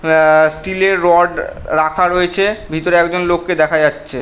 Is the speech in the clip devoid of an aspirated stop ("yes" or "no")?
no